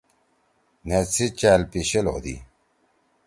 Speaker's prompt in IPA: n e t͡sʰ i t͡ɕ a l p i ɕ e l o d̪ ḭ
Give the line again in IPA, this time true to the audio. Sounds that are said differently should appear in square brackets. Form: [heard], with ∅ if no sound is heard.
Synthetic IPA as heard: n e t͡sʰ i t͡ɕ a l p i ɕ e l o d̪ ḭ